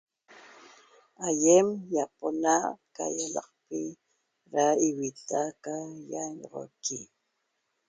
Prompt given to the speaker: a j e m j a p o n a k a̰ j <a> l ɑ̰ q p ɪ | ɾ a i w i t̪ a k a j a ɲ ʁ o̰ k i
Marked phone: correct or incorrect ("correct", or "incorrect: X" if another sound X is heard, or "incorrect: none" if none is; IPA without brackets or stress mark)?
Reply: correct